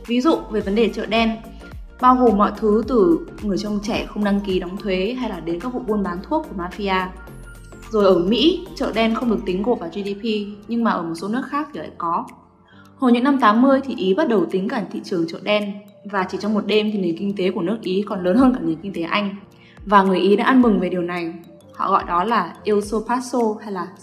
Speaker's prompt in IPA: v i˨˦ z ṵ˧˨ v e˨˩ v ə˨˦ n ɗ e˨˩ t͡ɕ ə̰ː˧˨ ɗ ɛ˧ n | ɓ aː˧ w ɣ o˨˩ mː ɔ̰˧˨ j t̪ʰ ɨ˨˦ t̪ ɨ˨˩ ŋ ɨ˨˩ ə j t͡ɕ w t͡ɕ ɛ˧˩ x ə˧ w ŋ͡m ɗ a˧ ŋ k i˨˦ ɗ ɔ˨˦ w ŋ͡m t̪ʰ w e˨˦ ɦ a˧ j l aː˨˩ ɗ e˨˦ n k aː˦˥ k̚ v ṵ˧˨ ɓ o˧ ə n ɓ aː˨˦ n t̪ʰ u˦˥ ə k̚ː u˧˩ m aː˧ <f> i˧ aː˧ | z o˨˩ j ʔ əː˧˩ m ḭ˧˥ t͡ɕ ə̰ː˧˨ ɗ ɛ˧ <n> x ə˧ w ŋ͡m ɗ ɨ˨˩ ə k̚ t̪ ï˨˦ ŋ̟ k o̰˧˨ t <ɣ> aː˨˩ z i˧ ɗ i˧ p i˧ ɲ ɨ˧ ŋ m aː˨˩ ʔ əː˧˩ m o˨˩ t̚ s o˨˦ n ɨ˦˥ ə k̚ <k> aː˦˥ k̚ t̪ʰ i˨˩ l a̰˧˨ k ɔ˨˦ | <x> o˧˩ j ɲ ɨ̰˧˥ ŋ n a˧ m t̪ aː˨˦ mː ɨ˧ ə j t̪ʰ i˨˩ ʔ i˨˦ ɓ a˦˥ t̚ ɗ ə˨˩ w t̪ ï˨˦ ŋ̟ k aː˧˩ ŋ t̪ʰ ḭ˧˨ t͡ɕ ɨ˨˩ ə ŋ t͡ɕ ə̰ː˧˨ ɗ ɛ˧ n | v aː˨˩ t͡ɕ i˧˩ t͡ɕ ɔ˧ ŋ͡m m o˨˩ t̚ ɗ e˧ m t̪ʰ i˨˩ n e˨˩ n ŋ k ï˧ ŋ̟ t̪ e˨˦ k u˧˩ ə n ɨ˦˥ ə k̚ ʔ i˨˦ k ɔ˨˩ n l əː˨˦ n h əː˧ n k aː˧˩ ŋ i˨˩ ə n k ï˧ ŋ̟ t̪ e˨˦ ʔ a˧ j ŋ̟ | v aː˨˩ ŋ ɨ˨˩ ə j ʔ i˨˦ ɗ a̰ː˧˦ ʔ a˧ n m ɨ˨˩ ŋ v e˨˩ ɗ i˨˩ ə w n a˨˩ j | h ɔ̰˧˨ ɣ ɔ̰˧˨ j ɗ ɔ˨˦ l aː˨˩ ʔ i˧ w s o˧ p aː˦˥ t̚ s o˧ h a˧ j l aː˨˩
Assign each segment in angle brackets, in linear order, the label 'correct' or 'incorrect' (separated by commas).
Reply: correct, correct, incorrect, incorrect, incorrect